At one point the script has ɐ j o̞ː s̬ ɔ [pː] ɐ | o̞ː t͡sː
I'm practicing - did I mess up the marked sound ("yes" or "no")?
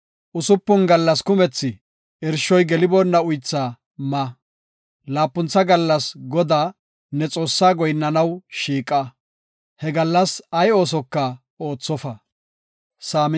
yes